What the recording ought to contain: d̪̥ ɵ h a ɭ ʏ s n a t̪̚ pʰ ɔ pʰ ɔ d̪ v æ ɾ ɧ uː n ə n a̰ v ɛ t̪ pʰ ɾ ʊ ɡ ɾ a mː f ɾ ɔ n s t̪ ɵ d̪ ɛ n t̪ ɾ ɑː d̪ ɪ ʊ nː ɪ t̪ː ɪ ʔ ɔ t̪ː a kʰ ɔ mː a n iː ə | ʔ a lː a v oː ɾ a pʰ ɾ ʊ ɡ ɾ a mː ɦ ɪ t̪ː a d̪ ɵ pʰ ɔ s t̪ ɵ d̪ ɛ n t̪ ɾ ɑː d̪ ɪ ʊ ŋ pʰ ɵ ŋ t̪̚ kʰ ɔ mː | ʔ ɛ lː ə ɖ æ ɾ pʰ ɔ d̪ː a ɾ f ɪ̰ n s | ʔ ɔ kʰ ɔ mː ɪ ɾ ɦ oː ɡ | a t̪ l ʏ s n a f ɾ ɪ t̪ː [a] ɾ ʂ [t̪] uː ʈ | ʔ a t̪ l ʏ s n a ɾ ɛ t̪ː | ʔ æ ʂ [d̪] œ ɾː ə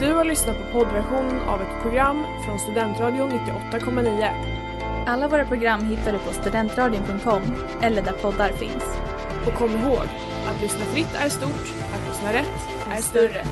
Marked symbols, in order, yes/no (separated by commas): no, yes, no